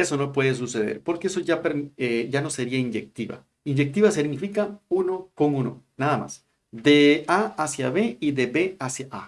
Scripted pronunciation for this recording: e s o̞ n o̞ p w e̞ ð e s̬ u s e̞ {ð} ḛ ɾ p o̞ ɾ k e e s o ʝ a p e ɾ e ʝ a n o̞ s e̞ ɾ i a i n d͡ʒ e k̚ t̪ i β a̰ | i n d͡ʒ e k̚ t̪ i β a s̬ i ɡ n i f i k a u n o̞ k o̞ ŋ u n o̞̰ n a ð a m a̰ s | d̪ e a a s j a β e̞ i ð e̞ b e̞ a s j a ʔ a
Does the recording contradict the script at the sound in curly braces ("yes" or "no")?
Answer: no